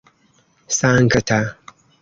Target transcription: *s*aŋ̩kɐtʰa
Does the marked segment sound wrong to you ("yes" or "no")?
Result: no